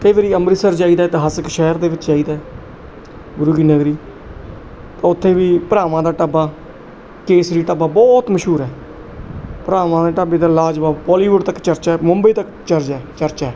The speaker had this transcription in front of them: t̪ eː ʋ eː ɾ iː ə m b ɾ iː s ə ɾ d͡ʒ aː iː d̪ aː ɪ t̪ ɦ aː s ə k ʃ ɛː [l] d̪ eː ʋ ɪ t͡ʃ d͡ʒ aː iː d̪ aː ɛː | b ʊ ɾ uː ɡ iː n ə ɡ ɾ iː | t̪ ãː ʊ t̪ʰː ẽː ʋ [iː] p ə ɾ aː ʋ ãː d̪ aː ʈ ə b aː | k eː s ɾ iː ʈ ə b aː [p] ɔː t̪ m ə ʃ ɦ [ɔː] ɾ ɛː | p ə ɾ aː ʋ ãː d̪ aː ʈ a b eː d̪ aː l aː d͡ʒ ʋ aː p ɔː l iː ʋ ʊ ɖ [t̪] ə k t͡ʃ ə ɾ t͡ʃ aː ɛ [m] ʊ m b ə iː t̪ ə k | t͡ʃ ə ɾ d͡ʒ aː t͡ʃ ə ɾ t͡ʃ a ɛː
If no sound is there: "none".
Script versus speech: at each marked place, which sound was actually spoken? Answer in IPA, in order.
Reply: ɾ, iː, b, uː, t̪, m

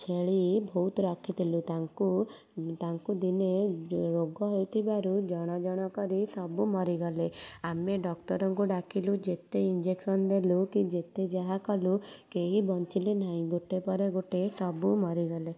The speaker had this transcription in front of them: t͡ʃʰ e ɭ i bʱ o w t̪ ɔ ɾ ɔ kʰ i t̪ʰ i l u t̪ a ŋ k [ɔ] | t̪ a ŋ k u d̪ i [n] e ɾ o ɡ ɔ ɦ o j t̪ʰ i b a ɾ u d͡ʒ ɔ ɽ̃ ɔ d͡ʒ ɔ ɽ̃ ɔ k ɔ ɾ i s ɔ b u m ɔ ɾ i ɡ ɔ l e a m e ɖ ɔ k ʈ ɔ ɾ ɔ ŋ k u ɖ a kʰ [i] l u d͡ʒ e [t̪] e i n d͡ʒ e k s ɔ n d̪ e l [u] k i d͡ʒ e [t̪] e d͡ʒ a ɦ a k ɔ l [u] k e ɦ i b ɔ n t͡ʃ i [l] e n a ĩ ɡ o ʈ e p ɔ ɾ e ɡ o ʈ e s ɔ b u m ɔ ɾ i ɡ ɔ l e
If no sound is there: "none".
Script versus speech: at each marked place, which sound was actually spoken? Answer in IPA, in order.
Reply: u, n, i, t̪, u, t̪, u, l

